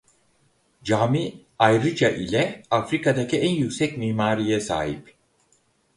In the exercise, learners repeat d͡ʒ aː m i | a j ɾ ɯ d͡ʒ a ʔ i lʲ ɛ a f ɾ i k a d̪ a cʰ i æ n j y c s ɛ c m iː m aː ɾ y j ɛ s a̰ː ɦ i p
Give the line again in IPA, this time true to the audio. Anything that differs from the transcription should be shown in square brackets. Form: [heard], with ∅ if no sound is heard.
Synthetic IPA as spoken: d͡ʒ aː m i | a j ɾ ɯ d͡ʒ a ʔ i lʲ ɛ a f ɾ i k a d̪ a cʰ i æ n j y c s ɛ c m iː m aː ɾ [i] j ɛ s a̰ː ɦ i p